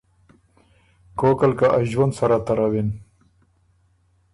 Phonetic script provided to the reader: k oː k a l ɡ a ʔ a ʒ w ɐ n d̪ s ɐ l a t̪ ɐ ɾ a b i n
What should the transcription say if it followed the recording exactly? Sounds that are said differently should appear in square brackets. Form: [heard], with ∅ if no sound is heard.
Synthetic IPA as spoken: k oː k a l [k] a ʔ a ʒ w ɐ n d̪ s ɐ [ɾ] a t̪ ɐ ɾ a [w] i n

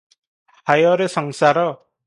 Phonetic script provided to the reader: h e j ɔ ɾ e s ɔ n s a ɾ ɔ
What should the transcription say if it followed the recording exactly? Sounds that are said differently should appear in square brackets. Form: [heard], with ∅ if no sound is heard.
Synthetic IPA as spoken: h [a] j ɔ ɾ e s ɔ [ŋ] s a ɾ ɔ

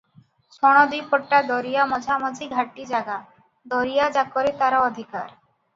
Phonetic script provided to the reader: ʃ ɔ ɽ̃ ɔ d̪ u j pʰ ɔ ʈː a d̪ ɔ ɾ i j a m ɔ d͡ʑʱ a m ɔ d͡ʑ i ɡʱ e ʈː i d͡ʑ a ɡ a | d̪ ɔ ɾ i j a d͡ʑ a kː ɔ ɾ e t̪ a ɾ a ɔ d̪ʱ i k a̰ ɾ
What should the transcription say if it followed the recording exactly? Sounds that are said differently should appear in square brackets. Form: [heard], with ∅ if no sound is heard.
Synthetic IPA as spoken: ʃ ɔ ɽ̃ ɔ d̪ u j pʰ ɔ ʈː a d̪ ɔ ɾ i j a m ɔ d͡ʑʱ a m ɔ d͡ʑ i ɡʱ [a] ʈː i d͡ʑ a ɡ a | d̪ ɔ ɾ i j a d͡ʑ a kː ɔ ɾ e t̪ a ɾ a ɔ d̪ʱ i k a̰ ɾ

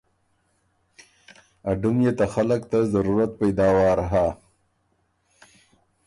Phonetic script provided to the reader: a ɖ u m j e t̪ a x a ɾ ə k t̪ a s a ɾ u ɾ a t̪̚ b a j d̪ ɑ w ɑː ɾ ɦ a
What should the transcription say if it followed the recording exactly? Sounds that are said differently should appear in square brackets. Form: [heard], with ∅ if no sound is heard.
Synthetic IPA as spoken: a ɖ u m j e t̪ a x a [l] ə k t̪ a [z] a ɾ u ɾ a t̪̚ [p] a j d̪ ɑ w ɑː ɾ ɦ a

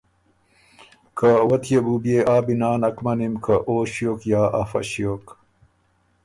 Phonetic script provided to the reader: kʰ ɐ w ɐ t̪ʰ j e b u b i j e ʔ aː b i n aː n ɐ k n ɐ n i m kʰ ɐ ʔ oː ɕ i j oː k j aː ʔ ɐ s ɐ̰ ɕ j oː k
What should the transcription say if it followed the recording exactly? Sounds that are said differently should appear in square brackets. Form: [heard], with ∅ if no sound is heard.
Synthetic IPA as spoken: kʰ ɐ w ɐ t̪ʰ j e b u b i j e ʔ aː b i n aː n ɐ k [m] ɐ n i m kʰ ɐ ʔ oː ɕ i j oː k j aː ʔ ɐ [f] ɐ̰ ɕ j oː k

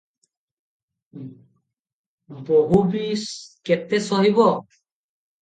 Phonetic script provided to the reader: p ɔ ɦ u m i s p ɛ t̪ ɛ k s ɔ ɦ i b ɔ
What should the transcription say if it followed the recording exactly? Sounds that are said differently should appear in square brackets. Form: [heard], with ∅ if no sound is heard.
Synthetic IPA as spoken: [b] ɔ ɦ u [b] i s [k] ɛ t̪ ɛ [∅] s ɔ ɦ i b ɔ

